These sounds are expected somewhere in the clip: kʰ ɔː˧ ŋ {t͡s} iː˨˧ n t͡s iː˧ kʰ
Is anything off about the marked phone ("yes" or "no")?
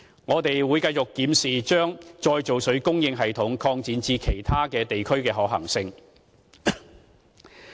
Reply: no